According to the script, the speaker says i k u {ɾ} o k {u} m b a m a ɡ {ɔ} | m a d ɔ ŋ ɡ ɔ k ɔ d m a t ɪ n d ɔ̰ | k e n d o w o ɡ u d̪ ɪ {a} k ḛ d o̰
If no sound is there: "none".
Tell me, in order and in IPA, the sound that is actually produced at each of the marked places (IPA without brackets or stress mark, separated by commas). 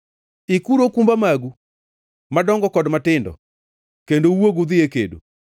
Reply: ɾ, u, u, e